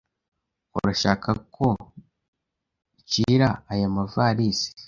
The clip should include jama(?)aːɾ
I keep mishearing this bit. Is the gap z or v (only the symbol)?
v